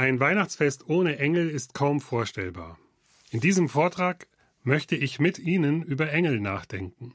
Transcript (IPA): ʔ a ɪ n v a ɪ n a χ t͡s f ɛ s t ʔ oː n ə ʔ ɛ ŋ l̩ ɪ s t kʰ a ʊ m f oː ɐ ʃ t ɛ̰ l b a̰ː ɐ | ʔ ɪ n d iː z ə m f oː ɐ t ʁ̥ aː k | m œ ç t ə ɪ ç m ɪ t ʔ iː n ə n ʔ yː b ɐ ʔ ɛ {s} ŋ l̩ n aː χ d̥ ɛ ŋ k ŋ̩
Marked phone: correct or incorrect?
incorrect